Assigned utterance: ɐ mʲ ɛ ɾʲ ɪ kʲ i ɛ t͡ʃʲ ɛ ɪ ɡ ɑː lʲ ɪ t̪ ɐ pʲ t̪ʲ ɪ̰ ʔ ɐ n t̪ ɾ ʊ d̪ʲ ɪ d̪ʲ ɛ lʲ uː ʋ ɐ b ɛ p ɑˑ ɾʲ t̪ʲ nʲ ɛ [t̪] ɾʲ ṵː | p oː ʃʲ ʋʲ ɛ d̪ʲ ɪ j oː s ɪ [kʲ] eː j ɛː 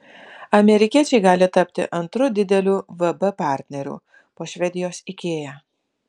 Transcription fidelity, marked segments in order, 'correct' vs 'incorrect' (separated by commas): incorrect, correct